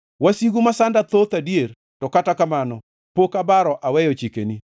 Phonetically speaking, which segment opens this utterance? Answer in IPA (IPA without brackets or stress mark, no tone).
w